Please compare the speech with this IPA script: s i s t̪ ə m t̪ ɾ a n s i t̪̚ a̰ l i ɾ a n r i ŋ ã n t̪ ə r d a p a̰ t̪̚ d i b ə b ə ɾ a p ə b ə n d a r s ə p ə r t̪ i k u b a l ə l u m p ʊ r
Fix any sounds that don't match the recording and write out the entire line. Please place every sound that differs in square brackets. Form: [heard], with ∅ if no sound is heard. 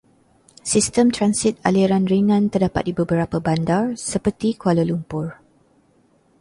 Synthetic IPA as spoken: s i s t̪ ə m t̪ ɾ a n s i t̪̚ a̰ l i ɾ a n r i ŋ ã n t̪ ə r d a p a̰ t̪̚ d i b ə b ə ɾ a p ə b [a] n d a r s ə p ə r t̪ i k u [∅] a l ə l u m p ʊ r